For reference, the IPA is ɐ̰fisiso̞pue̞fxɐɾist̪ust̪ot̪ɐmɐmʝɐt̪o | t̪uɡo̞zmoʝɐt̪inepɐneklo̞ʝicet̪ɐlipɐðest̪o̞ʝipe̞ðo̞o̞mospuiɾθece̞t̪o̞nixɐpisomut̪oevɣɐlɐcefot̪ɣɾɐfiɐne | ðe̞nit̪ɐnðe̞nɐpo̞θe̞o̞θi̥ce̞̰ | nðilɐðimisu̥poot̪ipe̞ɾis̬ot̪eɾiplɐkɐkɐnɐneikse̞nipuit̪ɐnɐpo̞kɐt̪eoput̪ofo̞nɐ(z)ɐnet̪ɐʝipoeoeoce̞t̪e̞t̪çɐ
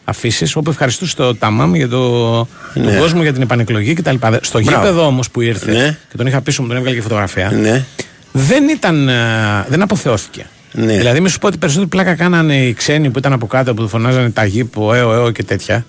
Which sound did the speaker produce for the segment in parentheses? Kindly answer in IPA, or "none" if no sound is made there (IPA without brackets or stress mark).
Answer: z